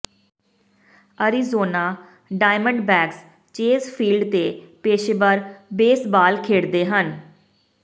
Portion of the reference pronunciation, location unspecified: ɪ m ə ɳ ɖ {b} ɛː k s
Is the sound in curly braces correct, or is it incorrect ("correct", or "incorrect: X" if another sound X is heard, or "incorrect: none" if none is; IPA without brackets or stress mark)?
correct